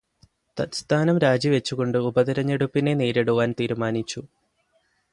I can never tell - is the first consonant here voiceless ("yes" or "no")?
yes